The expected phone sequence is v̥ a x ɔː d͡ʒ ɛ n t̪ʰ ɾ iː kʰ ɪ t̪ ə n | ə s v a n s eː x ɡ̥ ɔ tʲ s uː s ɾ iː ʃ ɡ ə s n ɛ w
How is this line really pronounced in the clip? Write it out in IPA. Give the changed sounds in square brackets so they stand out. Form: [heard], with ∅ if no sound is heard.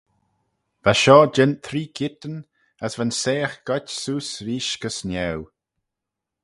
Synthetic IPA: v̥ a [ʃ] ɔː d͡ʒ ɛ n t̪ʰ ɾ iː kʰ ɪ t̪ ə n | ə s v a n s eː x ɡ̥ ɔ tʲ s uː s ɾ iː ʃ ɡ ə s n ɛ w